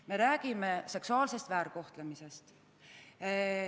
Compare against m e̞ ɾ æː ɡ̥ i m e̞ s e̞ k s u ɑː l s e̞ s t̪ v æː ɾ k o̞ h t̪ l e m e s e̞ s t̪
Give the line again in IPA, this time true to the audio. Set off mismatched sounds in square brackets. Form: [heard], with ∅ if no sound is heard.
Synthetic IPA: m e̞ ɾ æː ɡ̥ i m e̞ s e̞ k s u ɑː l s e̞ s t̪ v æː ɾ k o̞ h t̪ l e m [i] s e̞ s t̪